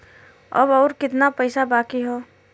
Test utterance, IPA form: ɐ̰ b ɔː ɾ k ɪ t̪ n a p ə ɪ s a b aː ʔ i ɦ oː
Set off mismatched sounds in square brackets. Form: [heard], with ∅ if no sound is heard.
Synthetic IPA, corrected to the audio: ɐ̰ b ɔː ɾ k ɪ t̪ n a p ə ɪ s a b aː [k] i ɦ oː

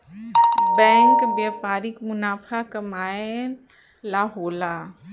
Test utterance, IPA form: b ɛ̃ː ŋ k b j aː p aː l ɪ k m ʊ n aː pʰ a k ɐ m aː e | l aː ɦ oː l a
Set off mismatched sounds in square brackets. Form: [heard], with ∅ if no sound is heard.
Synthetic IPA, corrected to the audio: b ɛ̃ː ŋ k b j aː p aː [ɾ] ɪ k m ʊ n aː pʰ a k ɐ m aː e | l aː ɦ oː l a

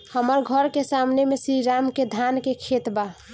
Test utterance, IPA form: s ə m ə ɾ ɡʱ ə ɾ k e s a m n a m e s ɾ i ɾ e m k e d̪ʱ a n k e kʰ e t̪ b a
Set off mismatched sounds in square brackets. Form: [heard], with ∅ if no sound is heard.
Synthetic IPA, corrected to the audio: [h] ə m ə ɾ ɡʱ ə ɾ k e s a m n [e] m e s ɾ i ɾ [a] m k e d̪ʱ a n k e kʰ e t̪ b a

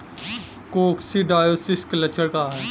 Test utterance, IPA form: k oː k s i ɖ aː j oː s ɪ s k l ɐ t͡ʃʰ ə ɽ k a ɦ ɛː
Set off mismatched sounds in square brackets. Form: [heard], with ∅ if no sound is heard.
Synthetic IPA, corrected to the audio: k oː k s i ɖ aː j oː s ɪ s k l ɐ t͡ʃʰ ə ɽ k a ɦ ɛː

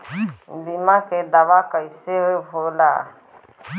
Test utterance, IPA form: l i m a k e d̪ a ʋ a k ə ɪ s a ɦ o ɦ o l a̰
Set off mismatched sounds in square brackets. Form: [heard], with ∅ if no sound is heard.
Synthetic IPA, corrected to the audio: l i m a k e d̪ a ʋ a k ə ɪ s [e] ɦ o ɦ o l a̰

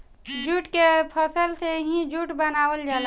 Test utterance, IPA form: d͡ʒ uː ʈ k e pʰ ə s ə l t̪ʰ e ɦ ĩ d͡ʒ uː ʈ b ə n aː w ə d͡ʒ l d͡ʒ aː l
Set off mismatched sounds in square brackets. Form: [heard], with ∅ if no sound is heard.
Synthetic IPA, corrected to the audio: d͡ʒ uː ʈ k e pʰ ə s ə l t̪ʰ e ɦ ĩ d͡ʒ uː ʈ b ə n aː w ə [∅] l d͡ʒ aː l

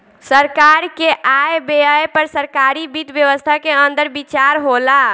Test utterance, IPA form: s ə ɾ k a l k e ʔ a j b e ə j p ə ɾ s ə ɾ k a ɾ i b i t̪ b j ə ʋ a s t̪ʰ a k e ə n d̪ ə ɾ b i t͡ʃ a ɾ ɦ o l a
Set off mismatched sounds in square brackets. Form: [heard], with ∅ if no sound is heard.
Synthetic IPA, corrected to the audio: s ə ɾ k a [ɾ] k e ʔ a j b e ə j p ə ɾ s ə ɾ k a ɾ i b i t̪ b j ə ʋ [ə] s t̪ʰ a k e ə n d̪ ə ɾ b i t͡ʃ a ɾ ɦ o l a

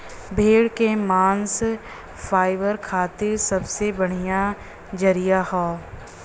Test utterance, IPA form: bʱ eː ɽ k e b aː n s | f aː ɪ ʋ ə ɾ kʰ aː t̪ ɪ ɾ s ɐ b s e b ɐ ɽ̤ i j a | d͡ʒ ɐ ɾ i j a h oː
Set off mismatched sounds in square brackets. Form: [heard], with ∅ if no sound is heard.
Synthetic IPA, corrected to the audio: bʱ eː ɽ k e [m] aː n s | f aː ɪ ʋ ə ɾ kʰ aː t̪ ɪ ɾ s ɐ b s e b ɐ ɽ̤ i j a | d͡ʒ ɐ ɾ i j a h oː

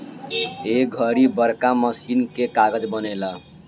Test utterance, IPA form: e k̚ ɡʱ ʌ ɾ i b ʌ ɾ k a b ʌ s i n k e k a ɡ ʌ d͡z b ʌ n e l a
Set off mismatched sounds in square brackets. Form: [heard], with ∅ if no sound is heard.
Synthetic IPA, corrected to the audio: e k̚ ɡʱ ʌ ɾ i b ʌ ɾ k a [m] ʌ s i n k e k a ɡ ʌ d͡z b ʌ n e l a

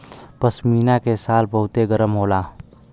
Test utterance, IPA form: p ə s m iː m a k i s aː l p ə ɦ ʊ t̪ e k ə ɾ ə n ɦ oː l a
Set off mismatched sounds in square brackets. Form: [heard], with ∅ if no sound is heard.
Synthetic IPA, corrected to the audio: p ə s m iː [n] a k [e] s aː l [b] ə ɦ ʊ t̪ e [ɡ] ə ɾ ə [m] ɦ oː l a

